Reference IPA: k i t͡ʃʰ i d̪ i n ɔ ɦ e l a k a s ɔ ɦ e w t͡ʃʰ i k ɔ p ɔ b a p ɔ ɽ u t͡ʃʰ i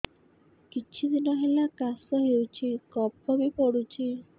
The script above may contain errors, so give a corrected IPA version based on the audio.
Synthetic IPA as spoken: k i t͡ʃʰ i d̪ i n ɔ ɦ e l a k a s ɔ ɦ e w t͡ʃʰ i k ɔ p ɔ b i p ɔ ɽ u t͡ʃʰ i